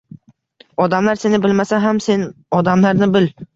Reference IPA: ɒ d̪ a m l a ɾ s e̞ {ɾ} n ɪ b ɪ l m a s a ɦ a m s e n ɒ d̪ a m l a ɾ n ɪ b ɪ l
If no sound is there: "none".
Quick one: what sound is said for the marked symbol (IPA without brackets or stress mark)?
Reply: none